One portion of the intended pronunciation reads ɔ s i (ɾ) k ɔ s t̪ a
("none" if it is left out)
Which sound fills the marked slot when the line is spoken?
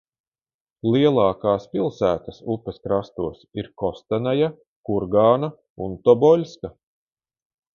ɾ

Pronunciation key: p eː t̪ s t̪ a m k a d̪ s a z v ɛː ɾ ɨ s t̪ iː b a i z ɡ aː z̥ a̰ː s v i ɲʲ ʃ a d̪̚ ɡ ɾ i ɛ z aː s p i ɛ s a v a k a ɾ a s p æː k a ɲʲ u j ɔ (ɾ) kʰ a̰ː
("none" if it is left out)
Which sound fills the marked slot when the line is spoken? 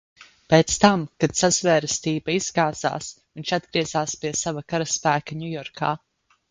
ɾ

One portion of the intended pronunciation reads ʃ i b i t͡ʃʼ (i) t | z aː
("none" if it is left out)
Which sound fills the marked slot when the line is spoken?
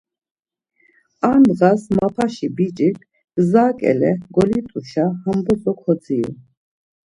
i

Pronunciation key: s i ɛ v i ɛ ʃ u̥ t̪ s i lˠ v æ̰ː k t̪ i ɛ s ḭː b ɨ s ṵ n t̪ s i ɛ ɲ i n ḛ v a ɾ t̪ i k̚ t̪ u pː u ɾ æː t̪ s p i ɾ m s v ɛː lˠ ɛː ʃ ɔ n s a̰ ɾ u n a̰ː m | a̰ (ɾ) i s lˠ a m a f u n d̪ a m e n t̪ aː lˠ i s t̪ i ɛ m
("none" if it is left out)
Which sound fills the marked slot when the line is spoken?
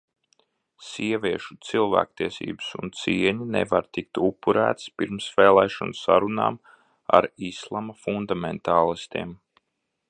ɾ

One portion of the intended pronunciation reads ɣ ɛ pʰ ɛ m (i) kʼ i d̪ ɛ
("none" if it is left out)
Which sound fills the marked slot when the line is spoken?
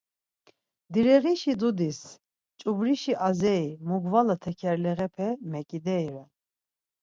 ɛ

